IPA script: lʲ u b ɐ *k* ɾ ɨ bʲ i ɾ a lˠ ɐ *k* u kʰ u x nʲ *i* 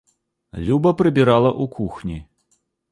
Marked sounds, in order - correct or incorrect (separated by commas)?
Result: incorrect, incorrect, correct